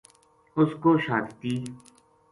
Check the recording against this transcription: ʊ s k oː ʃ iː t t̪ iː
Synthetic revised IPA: ʊ s k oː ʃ aː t t̪ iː